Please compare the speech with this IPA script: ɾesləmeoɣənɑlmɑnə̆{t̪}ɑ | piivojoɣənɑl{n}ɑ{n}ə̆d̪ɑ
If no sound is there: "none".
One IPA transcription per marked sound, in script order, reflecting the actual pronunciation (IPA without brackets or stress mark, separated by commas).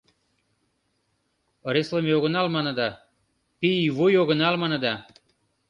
d̪, m, n